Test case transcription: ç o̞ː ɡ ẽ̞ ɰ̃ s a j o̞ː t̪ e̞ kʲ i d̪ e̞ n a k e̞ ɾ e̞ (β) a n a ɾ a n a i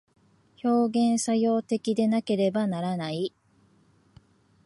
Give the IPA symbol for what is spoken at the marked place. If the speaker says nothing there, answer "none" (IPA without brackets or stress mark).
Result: b